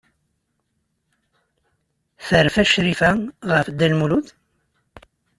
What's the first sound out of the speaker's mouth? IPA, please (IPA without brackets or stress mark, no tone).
θ